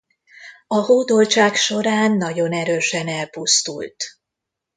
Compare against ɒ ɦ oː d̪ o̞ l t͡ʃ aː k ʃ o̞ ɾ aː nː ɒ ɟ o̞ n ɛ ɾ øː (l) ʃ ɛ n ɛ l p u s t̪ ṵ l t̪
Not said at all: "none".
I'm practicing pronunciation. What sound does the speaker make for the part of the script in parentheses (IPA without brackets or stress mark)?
none